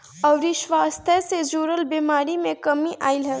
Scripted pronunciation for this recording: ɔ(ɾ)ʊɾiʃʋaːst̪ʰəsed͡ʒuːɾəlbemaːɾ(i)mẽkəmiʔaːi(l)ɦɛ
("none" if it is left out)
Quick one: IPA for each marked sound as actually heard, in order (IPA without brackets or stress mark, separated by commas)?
none, i, l